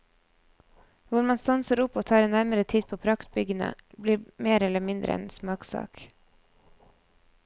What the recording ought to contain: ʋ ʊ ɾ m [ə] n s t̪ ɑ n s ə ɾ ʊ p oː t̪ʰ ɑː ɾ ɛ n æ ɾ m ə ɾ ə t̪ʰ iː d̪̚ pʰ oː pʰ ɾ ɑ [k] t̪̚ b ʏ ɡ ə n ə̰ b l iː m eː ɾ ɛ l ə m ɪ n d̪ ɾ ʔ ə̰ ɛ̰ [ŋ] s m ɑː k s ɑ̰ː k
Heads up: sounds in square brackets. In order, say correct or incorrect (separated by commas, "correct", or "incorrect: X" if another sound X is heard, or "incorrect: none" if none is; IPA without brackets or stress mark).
incorrect: ɑ, correct, incorrect: n